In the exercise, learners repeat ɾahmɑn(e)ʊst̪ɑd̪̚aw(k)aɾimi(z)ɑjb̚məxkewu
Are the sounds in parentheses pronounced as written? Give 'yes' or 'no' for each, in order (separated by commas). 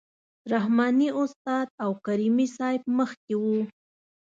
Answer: no, yes, no